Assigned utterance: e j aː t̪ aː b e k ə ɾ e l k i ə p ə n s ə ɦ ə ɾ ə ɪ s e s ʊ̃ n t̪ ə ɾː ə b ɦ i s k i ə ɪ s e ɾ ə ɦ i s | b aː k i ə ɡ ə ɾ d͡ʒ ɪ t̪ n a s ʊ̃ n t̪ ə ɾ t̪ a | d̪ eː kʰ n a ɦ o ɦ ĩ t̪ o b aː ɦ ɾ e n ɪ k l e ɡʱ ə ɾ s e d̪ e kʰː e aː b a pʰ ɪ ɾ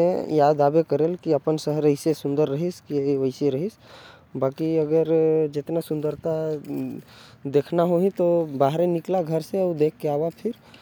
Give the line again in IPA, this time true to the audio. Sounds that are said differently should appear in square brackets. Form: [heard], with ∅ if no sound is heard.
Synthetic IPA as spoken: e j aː [d̪] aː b e k ə ɾ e l k i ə p ə n s ə ɦ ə ɾ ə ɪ s e s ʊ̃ n [d̪] ə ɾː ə [∅] ɦ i s k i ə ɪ s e ɾ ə ɦ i s | b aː k i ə ɡ ə ɾ d͡ʒ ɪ t̪ n a s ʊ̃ n [d̪] ə ɾ t̪ a | d̪ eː kʰ n a ɦ o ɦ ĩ t̪ o b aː ɦ ɾ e n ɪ k l [a] ɡʱ ə ɾ s e d̪ e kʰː e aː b a pʰ ɪ ɾ